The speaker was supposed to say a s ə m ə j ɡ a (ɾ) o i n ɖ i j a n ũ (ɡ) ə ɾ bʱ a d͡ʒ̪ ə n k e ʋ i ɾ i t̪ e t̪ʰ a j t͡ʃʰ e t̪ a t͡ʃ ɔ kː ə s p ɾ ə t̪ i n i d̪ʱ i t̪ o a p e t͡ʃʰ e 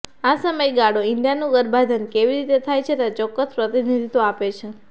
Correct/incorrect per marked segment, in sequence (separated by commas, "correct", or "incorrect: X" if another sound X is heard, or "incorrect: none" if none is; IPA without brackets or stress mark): incorrect: ɽ, correct